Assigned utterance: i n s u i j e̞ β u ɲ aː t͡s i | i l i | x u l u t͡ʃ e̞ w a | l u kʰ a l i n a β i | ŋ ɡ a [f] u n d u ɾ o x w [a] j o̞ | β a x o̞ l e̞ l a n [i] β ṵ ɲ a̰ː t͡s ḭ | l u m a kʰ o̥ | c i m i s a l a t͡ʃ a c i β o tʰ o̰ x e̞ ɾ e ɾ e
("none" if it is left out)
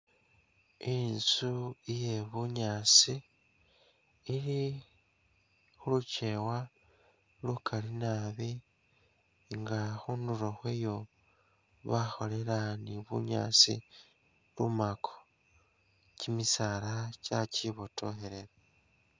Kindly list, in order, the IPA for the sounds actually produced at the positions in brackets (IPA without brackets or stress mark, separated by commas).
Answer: x, e, i